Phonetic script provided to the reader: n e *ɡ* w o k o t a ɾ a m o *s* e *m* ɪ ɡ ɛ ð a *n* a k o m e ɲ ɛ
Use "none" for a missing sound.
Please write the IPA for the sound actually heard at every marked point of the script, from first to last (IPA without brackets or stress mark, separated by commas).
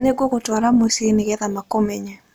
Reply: ɡ, s, n, m